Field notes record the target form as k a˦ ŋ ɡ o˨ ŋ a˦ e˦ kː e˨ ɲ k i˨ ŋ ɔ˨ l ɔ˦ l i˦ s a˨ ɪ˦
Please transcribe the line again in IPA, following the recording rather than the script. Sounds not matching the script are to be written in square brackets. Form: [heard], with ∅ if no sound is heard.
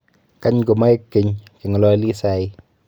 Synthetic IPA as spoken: k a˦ [ɲ] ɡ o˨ [m] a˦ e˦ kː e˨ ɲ k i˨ ŋ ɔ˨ l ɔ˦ l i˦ s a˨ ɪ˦